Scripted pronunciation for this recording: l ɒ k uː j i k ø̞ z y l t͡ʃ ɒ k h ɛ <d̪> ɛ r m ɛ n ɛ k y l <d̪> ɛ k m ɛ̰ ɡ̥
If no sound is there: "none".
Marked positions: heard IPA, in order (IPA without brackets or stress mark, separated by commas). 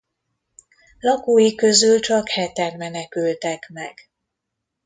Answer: t̪, t̪